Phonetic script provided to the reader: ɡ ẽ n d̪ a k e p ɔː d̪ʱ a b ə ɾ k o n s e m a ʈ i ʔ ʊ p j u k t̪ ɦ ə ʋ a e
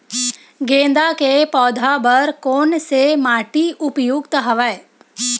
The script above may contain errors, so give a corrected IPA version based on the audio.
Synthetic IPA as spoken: ɡ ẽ n d̪ a k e p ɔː d̪ʱ a b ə ɾ k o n s e m a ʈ i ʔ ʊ p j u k t̪ ɦ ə ʋ a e